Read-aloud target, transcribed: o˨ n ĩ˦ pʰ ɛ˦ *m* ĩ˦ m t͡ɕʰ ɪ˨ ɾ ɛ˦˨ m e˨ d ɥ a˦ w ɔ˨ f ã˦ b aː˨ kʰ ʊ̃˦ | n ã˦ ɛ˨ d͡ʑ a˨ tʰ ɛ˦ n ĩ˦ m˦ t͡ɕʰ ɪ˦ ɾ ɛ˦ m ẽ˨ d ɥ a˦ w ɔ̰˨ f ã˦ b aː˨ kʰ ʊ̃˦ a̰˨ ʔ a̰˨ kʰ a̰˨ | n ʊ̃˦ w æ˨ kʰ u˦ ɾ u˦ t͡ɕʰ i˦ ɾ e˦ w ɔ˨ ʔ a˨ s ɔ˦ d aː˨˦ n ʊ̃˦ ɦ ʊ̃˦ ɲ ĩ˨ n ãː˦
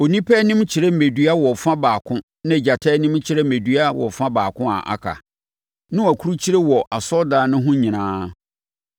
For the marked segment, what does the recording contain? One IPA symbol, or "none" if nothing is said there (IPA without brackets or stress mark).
n